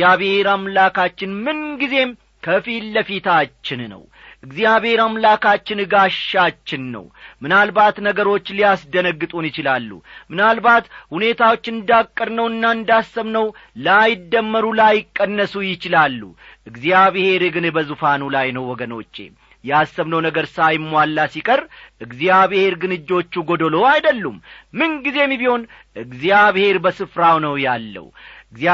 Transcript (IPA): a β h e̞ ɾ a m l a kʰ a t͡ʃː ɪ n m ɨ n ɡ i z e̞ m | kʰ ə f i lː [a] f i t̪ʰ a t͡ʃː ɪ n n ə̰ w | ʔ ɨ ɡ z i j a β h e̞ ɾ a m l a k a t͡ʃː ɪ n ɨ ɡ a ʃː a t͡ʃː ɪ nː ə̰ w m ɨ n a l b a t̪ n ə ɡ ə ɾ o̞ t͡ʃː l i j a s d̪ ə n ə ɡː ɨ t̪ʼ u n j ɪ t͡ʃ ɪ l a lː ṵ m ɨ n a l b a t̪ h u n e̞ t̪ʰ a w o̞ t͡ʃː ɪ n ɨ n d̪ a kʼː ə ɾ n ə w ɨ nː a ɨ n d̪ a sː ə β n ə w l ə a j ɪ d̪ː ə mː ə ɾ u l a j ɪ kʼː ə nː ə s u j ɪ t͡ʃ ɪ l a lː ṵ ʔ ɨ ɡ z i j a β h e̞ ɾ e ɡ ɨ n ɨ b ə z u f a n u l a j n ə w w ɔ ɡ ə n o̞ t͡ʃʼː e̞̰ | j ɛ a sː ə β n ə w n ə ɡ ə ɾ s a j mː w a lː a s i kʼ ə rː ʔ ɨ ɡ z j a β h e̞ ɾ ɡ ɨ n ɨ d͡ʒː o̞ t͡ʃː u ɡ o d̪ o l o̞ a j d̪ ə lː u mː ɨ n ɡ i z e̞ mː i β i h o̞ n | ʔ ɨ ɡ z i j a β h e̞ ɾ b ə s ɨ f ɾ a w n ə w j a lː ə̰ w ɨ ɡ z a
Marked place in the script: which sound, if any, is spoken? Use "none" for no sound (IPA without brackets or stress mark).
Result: ə